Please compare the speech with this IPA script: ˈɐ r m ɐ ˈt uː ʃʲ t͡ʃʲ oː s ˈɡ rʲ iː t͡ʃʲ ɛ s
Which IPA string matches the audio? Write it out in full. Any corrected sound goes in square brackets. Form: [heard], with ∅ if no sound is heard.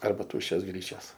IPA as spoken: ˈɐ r [b] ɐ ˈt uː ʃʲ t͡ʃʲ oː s ˈɡ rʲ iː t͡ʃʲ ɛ s

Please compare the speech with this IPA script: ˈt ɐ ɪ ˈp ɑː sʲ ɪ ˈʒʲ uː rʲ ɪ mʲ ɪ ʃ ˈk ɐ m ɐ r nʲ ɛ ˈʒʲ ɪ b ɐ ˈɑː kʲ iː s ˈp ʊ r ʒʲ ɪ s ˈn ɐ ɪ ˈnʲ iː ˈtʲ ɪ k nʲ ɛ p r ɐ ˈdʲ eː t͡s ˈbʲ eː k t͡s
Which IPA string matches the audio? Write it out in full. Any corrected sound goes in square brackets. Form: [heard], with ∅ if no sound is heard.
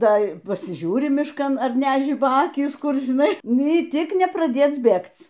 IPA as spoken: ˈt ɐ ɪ ˈp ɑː sʲ ɪ ˈʒʲ uː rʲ ɪ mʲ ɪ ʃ ˈk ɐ [n] ɐ r nʲ [æ] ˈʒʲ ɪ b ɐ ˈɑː kʲ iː s [ˈk] ʊ r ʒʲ ɪ [∅] ˈn ɐ ɪ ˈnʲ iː ˈtʲ ɪ k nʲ ɛ p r ɐ ˈdʲ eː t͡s ˈbʲ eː k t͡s

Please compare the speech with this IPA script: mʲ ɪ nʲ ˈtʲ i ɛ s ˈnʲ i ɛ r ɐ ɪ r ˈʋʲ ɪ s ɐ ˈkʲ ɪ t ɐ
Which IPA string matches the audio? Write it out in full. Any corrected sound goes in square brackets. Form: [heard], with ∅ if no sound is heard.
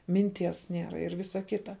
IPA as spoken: mʲ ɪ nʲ ˈtʲ i ɛ s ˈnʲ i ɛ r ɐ ɪ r ˈʋʲ ɪ s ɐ ˈkʲ ɪ t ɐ

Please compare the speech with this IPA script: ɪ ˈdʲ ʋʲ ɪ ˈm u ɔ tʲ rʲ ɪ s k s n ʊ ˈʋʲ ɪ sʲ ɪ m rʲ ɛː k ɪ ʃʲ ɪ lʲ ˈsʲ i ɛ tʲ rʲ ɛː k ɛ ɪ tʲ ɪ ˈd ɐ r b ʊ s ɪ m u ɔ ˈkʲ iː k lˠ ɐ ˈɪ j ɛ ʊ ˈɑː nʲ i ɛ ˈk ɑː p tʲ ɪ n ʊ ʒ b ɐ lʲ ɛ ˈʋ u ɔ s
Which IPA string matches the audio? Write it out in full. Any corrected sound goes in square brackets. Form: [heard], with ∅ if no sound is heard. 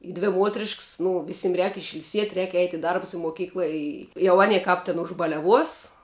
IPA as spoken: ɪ ˈdʲ ʋʲ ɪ ˈm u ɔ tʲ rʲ ɪ [ʃ] k s n ʊ ˈʋʲ ɪ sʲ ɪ m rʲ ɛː k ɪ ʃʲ ɪ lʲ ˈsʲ i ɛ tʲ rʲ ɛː k ɛ ɪ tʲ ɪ ˈd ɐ r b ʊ s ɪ m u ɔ ˈkʲ iː k lˠ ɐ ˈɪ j ɛ ʊ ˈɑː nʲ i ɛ ˈk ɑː p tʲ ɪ n ʊ ʒ b ɐ lʲ ɛ ˈʋ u ɔ s

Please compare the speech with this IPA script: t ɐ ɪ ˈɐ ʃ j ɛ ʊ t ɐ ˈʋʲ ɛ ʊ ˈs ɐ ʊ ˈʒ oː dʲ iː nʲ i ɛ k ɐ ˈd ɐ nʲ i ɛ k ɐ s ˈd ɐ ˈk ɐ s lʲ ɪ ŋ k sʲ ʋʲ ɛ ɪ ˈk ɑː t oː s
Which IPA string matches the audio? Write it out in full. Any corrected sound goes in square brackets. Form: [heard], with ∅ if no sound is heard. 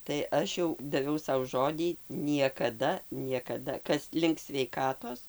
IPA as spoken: t ɐ ɪ ˈɐ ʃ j ɛ ʊ [d] ɐ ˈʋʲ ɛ ʊ ˈs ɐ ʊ ˈʒ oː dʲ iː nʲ i ɛ k ɐ ˈd ɐ nʲ i ɛ k ɐ [∅] ˈd ɐ ˈk ɐ s lʲ ɪ ŋ k sʲ ʋʲ ɛ ɪ ˈk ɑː t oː s

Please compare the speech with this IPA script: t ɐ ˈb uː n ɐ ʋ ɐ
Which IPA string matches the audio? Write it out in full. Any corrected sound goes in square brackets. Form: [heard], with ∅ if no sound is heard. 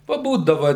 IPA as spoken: [p] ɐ ˈb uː [d] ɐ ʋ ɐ

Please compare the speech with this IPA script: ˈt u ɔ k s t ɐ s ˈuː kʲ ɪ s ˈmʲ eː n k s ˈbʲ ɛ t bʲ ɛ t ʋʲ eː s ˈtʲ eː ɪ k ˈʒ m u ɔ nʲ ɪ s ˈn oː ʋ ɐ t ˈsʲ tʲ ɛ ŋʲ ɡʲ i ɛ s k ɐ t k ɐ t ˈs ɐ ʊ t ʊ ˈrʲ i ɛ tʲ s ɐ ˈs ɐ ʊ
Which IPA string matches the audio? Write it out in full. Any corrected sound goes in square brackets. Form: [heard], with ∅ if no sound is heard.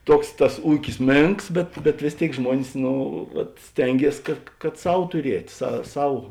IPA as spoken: ˈt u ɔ k s t ɐ s ˈuː kʲ ɪ s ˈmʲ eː [ŋ] k s ˈbʲ ɛ t bʲ ɛ t ʋʲ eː s ˈtʲ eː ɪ k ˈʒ m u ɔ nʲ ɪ s ˈn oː ʋ ɐ t ˈsʲ tʲ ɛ ŋʲ ɡʲ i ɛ s k ɐ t k ɐ t ˈs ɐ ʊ t ʊ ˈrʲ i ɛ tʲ s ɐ ˈs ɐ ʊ

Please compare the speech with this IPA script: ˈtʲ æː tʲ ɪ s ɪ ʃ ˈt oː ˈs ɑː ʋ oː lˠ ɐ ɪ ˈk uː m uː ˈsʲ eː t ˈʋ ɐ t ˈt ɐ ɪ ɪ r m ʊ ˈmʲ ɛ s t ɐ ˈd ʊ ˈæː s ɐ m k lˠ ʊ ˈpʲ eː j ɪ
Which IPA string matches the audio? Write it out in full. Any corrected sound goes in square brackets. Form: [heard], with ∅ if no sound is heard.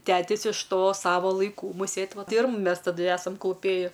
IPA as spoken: ˈtʲ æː tʲ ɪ s ɪ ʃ ˈt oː ˈs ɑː ʋ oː lˠ ɐ ɪ ˈk uː m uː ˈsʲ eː t ˈʋ ɐ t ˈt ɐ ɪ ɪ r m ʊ ˈmʲ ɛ s t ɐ ˈd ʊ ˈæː s ɐ m k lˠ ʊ ˈpʲ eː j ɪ

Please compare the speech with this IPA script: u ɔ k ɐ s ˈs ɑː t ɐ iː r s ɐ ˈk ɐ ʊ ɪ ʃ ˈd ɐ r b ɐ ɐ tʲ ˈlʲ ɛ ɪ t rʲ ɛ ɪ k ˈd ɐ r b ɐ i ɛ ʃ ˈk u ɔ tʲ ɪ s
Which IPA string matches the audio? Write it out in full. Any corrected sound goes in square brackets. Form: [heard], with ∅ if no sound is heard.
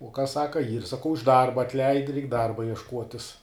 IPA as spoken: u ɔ k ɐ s ˈs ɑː [k] ɐ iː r s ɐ ˈk ɐ ʊ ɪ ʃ ˈd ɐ r b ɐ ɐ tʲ ˈlʲ ɛ ɪ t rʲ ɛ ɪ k ˈd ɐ r b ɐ i ɛ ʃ ˈk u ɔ tʲ ɪ s

